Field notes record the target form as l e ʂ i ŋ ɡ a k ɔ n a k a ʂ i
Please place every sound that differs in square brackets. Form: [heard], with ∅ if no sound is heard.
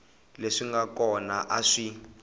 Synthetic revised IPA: l e ʂ i ŋ ɡ a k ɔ n a [ʔ] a ʂ i